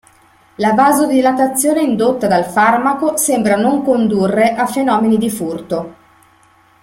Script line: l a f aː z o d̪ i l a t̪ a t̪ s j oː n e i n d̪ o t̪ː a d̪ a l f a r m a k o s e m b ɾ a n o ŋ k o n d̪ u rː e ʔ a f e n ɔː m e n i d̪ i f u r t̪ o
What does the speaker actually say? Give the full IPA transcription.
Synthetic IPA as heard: l a v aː z o d̪ i l a t̪ a t̪ sː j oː n e i n d̪ o t̪ː a d̪ a l f a r m a k o s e m b ɾ a n o ŋ k o n d̪ u rː e ʔ a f e n ɔː m e n i d̪ i f u r t̪ o